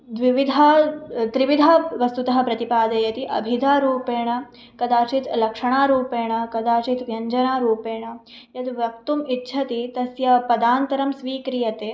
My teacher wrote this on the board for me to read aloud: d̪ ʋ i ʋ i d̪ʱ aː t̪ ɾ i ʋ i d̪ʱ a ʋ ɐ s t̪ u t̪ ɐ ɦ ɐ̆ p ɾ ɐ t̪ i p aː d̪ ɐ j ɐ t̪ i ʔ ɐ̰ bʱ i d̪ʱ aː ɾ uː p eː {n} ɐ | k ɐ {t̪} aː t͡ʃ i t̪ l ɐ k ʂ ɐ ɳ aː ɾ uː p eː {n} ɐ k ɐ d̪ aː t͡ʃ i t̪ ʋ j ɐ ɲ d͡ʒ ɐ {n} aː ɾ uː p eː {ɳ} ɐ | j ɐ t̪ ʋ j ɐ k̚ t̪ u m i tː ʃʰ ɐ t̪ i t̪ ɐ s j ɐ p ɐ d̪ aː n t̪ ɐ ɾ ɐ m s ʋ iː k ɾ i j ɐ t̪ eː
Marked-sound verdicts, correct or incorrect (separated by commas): incorrect, incorrect, incorrect, correct, correct